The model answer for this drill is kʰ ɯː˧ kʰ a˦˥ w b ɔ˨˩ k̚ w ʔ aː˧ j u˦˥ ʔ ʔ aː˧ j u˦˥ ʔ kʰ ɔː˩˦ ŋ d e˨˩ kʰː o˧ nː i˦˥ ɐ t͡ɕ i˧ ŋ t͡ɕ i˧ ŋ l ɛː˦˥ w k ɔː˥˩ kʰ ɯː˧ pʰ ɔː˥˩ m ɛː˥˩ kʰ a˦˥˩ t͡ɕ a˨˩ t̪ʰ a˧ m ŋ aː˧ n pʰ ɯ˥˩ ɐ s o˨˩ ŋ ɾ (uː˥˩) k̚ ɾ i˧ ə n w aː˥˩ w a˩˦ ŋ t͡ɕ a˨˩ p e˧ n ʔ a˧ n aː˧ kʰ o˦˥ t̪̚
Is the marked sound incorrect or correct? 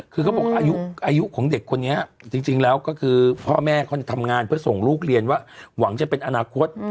correct